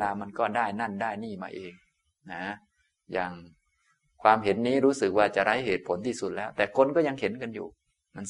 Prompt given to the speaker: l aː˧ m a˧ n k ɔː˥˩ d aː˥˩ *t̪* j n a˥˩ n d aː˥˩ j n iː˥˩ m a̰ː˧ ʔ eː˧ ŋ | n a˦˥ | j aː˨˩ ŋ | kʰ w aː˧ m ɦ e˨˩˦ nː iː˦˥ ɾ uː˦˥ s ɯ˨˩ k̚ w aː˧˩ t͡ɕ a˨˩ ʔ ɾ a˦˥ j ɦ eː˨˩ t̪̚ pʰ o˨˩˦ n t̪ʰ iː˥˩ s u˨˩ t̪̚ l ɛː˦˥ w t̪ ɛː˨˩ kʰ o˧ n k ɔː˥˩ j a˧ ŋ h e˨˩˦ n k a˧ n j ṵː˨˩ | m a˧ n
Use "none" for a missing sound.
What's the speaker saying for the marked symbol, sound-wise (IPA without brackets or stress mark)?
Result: none